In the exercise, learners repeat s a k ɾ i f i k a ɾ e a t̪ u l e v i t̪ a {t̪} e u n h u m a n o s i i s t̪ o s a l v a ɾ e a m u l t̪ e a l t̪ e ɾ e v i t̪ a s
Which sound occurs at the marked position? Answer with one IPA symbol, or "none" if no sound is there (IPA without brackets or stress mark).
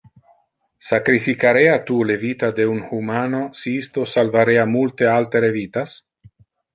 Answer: d̪